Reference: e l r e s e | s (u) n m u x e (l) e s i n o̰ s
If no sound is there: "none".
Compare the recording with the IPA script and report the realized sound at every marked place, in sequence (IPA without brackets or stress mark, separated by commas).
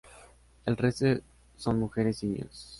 o, ɾ